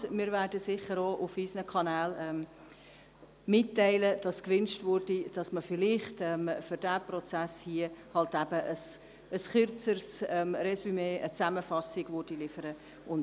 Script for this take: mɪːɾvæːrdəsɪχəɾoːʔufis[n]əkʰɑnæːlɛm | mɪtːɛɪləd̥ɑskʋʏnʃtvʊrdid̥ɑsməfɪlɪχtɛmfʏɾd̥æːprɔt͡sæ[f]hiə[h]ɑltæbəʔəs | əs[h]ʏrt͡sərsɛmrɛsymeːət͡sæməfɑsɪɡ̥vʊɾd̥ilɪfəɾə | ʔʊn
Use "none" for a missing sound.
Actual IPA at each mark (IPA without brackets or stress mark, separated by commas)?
n, s, h, χ